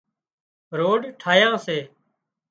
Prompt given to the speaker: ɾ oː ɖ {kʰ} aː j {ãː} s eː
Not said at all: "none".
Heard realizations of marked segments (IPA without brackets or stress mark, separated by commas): ʈʰ, ãː